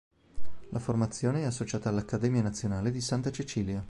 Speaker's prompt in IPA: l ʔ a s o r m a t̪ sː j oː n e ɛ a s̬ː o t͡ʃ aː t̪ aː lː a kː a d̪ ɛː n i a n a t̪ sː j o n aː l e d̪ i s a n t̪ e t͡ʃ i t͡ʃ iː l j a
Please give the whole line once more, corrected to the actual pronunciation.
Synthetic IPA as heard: l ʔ a f o r m a t̪ sː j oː n e ɛ a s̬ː o t͡ʃ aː t̪ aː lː a kː a d̪ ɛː m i a n a t̪ sː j o n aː l e d̪ i s a n t̪ a t͡ʃ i t͡ʃ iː l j a